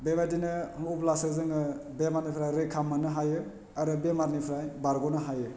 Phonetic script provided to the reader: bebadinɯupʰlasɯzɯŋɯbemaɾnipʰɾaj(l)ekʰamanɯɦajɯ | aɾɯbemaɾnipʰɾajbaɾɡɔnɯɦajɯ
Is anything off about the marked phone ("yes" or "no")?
yes